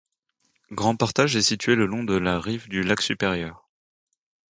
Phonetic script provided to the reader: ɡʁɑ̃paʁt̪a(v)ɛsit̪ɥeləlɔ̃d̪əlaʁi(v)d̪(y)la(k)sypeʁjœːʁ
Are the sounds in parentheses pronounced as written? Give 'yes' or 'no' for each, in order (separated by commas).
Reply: no, yes, yes, yes